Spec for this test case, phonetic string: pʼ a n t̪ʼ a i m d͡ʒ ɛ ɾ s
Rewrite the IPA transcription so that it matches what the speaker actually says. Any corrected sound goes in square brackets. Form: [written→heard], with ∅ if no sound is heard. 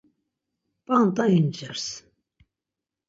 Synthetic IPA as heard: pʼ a n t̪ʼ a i [m→n] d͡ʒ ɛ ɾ s